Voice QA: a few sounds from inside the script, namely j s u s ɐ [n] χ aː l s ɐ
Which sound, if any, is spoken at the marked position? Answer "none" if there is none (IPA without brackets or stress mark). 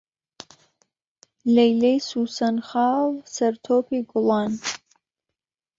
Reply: n